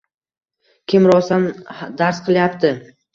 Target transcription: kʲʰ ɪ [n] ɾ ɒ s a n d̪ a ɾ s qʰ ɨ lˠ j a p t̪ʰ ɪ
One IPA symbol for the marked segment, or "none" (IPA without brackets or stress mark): m